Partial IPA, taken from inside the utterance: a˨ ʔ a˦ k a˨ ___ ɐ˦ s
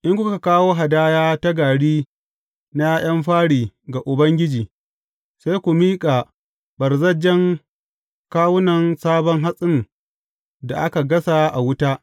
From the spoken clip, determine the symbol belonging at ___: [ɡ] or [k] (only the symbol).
ɡ